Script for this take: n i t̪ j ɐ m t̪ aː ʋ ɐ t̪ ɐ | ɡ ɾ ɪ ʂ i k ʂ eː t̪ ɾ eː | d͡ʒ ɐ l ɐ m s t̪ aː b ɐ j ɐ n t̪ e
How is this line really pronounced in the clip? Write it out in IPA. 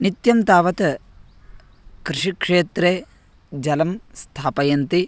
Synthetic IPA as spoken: n i t̪ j ɐ m t̪ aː ʋ ɐ t̪ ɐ | k ɾ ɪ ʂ i k ʂ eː t̪ ɾ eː | d͡ʒ ɐ l ɐ m s t̪ʰ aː p ɐ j ɐ n t̪ i